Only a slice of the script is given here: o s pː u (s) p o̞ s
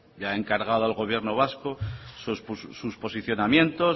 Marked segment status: correct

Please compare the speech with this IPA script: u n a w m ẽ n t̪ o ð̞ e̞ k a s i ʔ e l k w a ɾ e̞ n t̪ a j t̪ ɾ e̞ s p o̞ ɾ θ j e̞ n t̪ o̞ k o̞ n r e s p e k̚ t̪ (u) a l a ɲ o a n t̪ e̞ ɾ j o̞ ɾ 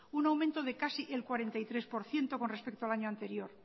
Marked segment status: incorrect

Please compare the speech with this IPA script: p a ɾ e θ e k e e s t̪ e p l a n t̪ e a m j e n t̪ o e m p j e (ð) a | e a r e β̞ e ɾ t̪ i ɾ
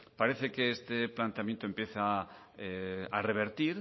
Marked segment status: incorrect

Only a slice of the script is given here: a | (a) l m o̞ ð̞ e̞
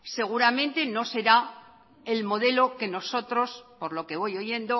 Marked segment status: incorrect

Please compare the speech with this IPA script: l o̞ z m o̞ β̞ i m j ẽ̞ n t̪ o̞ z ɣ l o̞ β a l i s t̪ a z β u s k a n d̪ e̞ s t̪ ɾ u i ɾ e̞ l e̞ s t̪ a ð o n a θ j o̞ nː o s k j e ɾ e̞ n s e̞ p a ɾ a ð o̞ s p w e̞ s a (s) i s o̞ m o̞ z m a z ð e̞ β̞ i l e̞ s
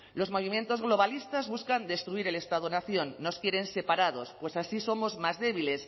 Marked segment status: correct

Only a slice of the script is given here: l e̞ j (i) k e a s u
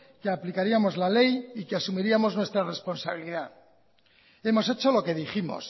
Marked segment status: correct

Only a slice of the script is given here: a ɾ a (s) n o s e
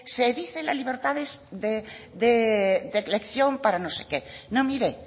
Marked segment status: incorrect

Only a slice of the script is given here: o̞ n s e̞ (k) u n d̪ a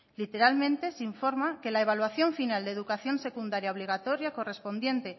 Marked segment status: correct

